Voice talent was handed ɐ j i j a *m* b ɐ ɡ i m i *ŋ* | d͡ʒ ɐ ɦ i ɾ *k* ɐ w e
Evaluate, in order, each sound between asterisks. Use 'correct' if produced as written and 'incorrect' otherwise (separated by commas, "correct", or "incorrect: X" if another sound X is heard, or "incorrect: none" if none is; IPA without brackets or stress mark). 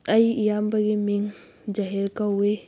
correct, correct, correct